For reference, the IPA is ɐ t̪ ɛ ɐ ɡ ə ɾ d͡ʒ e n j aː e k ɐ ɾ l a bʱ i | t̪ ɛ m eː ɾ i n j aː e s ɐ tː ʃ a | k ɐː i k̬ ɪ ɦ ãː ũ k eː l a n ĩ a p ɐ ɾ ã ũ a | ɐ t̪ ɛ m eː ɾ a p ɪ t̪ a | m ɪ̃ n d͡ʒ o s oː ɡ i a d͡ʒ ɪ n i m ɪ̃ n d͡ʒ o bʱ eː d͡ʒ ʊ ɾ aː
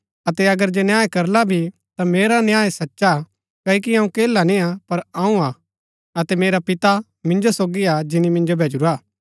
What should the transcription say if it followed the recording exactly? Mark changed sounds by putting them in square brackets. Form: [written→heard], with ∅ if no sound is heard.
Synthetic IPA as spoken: ɐ t̪ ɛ ɐ ɡ ə ɾ d͡ʒ e n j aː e k ɐ ɾ l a bʱ i | t̪ [ɛ→a] m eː ɾ [i→a] n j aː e s ɐ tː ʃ a | k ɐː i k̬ [ɪ→i] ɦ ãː ũ k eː l a n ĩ a p ɐ ɾ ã ũ a | ɐ t̪ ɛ m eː ɾ a p ɪ t̪ a | m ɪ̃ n d͡ʒ o s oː ɡ i a d͡ʒ ɪ n i m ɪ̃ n d͡ʒ o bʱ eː d͡ʒ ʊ ɾ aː